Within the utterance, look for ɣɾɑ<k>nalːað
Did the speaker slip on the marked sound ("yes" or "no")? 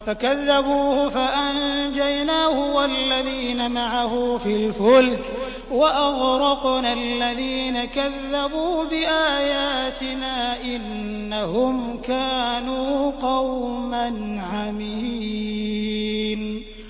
yes